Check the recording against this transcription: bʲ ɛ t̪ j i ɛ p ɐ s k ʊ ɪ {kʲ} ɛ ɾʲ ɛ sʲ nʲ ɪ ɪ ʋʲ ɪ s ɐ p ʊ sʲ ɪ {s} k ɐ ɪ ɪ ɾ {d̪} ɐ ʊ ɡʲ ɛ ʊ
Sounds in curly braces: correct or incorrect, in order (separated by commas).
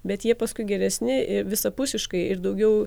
incorrect, incorrect, correct